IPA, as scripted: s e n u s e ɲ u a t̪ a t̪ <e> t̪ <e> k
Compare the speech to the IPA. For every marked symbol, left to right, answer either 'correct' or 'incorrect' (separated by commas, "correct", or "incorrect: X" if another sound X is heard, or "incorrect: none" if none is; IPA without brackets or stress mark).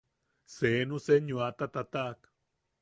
incorrect: a, incorrect: a